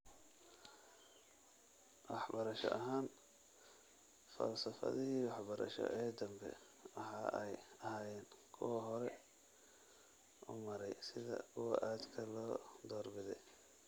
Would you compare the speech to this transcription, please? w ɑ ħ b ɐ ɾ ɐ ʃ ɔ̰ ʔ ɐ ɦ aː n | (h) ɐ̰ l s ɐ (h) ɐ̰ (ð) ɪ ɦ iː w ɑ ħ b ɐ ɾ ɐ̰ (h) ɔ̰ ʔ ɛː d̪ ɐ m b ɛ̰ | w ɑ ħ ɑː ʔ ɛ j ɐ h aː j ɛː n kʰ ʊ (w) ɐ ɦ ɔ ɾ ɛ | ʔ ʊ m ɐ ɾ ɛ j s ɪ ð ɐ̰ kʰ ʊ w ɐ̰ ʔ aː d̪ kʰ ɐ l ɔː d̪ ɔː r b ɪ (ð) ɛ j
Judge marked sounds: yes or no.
no, no, yes, no, yes, yes

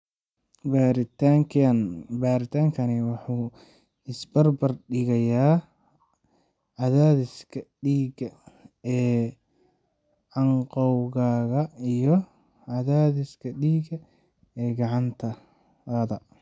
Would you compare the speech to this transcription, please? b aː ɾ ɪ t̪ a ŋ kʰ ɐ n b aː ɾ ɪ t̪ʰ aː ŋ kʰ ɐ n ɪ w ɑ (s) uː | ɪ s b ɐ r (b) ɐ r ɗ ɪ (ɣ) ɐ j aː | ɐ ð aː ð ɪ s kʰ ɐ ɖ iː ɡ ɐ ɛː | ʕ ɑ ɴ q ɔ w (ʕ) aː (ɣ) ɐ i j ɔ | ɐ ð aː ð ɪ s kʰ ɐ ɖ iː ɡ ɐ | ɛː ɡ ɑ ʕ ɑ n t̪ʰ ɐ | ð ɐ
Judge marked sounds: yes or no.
no, yes, yes, no, yes

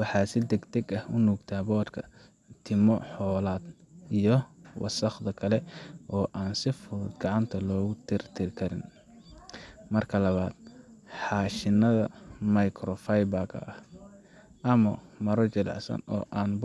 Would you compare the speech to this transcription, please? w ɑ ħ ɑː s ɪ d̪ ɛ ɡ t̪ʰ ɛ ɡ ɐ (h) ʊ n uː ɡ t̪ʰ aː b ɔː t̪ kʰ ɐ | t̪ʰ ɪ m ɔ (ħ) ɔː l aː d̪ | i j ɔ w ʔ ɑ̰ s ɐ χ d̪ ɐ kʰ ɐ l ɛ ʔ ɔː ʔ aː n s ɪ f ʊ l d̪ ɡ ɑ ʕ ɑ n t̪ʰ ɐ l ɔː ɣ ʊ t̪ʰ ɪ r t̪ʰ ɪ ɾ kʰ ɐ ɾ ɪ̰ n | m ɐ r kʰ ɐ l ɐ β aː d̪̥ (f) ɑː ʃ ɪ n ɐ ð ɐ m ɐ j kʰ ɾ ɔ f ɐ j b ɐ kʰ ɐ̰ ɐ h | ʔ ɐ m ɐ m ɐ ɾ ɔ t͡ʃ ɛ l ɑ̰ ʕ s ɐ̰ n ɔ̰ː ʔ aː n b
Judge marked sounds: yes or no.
yes, yes, no

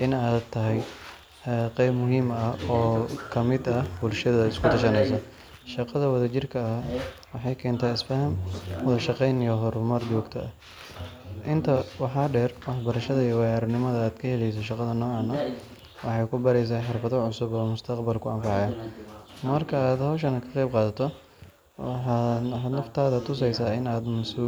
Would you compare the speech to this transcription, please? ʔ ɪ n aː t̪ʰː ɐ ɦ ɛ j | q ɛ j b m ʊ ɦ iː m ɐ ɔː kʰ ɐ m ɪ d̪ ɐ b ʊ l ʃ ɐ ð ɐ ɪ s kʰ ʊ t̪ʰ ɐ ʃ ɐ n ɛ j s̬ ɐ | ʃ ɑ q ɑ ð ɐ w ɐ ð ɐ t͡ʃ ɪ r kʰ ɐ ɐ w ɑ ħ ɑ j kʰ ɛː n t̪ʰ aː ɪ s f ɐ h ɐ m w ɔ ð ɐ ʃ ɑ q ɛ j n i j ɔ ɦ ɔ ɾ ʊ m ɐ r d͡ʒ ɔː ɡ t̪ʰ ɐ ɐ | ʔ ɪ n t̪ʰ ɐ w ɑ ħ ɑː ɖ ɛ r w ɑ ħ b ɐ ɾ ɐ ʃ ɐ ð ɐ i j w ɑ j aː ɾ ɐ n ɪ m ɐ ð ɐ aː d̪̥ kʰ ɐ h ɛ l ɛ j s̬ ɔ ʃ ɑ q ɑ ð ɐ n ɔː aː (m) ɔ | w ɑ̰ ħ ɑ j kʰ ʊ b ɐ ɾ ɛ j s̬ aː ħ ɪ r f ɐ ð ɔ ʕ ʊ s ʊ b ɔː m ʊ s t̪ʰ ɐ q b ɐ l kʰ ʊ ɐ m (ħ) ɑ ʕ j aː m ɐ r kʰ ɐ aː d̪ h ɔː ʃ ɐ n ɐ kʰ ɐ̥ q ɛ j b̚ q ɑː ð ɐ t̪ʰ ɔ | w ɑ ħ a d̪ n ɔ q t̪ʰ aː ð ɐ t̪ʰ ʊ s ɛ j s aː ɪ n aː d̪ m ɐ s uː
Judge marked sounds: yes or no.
no, no

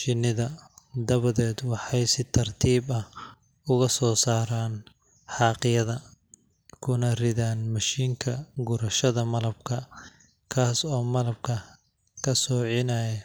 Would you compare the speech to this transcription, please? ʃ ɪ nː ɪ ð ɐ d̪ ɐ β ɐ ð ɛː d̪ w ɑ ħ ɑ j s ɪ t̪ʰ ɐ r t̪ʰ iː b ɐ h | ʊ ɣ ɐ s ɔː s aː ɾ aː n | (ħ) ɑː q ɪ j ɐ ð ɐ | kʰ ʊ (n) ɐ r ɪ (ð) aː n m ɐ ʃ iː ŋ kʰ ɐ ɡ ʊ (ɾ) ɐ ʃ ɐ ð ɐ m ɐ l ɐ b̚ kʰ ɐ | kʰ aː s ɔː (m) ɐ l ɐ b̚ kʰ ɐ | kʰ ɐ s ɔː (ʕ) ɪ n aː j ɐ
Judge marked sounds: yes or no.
yes, yes, yes, yes, yes, yes

